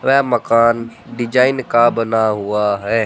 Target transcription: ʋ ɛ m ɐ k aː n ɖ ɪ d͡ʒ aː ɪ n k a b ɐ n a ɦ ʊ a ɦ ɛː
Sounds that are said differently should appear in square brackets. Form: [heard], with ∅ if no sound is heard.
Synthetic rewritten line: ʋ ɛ m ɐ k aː n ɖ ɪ d͡ʒ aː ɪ n k a b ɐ n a ɦ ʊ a ɦ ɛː